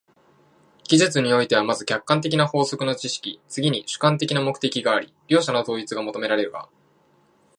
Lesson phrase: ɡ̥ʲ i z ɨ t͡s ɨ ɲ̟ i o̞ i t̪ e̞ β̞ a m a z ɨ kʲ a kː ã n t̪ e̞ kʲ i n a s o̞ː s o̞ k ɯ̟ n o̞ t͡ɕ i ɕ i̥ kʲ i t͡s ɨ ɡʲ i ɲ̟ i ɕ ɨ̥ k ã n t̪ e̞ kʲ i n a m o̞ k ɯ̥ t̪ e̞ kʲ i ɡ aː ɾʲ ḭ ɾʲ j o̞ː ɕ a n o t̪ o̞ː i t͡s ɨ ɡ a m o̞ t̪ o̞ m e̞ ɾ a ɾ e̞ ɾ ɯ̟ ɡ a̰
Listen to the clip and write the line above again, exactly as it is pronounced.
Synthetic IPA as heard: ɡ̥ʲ i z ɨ t͡s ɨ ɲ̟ i o̞ i t̪ e̞ β̞ a m a z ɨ kʲ a kː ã n t̪ e̞ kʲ i n a h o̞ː s o̞ k ɯ̟ n o̞ t͡ɕ i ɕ i̥ kʲ i t͡s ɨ ɡʲ i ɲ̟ i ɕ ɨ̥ k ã n t̪ e̞ kʲ i n a m o̞ k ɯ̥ t̪ e̞ kʲ i ɡ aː ɾʲ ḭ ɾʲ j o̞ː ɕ a n o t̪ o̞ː i t͡s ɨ ɡ a m o̞ t̪ o̞ m e̞ ɾ a ɾ e̞ ɾ ɯ̟ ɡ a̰

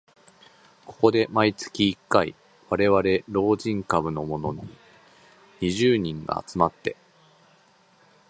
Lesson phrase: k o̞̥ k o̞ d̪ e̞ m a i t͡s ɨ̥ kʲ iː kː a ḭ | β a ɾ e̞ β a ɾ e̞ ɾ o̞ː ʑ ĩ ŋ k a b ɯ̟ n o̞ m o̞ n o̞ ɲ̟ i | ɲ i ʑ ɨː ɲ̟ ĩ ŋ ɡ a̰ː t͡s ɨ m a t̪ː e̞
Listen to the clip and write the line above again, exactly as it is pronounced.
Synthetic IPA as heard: k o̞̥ k o̞ d̪ e̞ m a i t͡s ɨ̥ kʲ iː kː a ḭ | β a ɾ e̞ β a ɾ e̞ ɾ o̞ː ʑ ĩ ŋ k a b ɯ̟ n o̞ m o̞ n o̞ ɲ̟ i | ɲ i ʑ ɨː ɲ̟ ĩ ŋ ɡ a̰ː t͡s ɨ m a t̪ː e̞

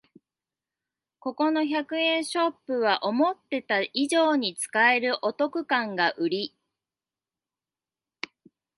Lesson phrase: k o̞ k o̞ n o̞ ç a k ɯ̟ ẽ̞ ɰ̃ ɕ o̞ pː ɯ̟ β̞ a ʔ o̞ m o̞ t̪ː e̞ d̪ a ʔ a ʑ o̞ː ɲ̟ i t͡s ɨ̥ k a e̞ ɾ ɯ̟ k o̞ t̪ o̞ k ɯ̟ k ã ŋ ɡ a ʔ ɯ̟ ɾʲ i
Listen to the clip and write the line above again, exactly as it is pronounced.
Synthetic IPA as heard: k o̞ k o̞ n o̞ ç a k ɯ̟ ẽ̞ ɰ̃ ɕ o̞ pː ɯ̟ β̞ a ʔ o̞ m o̞ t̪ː e̞ t̪ a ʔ i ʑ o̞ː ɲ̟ i t͡s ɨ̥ k a e̞ ɾ ɯ̟ ʔ o̞ t̪ o̞ k ɯ̟ k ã ŋ ɡ a ʔ ɯ̟ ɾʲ i

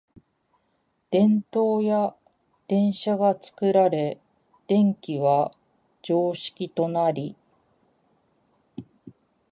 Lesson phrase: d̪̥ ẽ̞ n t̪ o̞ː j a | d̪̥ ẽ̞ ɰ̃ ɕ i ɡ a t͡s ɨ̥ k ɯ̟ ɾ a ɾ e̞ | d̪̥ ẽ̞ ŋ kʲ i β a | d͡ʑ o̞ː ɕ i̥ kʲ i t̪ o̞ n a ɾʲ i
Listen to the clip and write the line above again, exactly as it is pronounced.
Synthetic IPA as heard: d̪̥ ẽ̞ n t̪ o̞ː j a | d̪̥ ẽ̞ ɰ̃ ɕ a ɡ a t͡s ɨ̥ k ɯ̟ ɾ a ɾ e̞ | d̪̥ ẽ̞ ŋ kʲ i β a | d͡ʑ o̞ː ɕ i̥ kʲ i t̪ o̞ n a ɾʲ i

